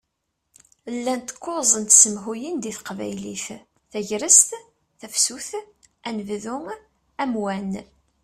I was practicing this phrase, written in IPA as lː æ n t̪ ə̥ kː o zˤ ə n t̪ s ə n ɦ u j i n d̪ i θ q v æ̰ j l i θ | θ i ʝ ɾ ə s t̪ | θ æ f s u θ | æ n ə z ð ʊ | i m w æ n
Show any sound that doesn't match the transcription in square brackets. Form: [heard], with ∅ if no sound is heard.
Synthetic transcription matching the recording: lː æ n t̪ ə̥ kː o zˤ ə n t̪ s ə [m] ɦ u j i n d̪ i θ q v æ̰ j l i θ | θ [æ] ʝ ɾ ə s t̪ | θ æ f s u θ | æ n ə [v] ð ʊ | [æ] m w æ n